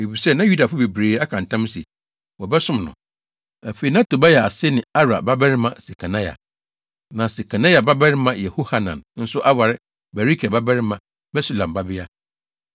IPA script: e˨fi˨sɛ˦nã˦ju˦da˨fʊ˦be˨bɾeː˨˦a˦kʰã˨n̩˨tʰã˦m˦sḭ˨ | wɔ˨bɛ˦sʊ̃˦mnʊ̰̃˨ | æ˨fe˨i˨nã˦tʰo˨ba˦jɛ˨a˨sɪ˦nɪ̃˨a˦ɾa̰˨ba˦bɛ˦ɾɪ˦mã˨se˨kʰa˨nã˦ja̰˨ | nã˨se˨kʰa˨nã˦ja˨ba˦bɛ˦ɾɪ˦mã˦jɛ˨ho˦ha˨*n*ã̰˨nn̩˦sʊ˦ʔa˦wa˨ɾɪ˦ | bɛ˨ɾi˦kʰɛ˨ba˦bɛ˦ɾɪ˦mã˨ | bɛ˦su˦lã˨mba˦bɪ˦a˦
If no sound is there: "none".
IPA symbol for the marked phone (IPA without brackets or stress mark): n